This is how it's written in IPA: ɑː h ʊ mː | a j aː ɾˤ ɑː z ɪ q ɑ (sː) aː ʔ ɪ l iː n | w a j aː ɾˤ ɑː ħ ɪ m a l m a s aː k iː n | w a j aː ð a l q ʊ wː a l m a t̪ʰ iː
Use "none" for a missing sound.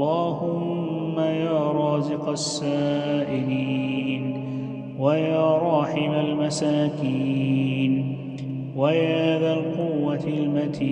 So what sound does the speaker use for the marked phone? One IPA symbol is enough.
sː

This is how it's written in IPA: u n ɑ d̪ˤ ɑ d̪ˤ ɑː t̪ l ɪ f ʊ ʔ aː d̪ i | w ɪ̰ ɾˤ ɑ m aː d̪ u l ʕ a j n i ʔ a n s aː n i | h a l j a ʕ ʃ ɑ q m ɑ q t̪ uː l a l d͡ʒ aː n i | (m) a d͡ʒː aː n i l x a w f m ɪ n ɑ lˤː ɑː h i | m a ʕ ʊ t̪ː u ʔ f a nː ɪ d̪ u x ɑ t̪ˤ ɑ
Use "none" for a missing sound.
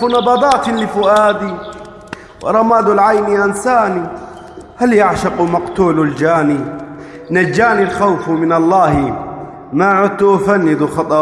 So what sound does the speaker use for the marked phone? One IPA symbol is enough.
n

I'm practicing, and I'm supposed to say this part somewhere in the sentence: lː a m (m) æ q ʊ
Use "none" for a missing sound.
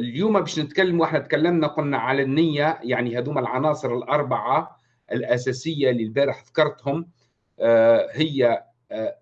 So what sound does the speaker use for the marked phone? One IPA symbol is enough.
n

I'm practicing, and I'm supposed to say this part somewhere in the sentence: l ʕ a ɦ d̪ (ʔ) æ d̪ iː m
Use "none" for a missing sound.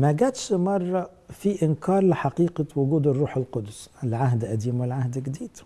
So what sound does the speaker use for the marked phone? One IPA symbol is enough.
ʔ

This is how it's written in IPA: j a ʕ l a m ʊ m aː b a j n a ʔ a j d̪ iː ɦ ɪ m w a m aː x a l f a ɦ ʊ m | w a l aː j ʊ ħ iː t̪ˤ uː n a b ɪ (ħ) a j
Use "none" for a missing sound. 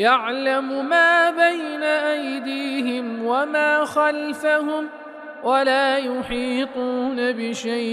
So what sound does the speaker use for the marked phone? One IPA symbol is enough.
ʃ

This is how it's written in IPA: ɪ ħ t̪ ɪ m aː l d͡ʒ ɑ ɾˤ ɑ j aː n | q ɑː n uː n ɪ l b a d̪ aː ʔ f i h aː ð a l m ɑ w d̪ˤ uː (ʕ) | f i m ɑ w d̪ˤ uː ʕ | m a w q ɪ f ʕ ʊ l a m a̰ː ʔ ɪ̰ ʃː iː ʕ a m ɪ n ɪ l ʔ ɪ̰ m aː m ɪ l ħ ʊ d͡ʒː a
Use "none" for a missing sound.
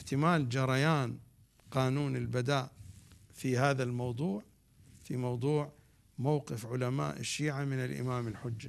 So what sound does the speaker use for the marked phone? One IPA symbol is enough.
ʕ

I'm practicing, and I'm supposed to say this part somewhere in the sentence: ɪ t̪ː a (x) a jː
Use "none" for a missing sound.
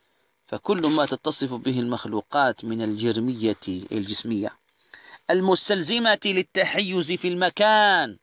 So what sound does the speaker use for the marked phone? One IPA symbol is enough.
ħ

